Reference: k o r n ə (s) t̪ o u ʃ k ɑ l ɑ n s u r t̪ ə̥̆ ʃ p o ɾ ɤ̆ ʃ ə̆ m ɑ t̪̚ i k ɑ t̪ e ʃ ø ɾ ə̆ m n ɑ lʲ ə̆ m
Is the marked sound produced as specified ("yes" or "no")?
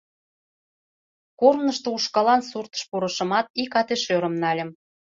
no